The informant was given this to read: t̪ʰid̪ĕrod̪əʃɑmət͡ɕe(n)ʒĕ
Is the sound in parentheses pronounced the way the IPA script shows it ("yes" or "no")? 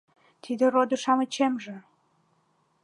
no